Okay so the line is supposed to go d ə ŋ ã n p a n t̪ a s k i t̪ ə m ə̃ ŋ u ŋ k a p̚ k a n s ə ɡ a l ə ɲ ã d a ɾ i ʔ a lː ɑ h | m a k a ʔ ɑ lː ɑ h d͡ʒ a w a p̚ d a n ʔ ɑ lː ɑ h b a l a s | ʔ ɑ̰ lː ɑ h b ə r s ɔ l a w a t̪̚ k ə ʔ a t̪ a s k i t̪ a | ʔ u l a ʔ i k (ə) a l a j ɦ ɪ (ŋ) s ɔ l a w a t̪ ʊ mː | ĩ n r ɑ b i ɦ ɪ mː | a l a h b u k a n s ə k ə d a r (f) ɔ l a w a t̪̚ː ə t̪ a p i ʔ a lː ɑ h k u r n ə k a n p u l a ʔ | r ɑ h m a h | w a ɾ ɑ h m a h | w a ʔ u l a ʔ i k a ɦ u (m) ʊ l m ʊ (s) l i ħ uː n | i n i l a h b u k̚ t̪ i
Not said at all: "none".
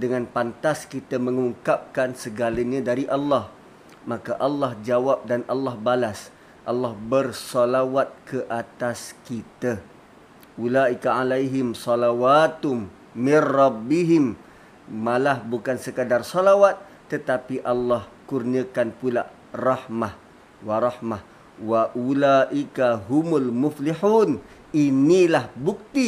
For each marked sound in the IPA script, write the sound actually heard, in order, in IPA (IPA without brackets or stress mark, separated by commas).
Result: a, m, s, m, f